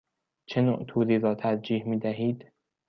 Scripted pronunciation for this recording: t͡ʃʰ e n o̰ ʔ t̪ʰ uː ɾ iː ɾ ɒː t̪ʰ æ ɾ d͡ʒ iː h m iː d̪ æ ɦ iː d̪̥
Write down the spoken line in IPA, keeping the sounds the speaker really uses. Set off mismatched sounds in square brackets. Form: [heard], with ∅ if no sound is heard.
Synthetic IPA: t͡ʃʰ e n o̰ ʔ t̪ʰ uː ɾ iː ɾ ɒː t̪ʰ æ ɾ d͡ʒ iː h m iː d̪ æ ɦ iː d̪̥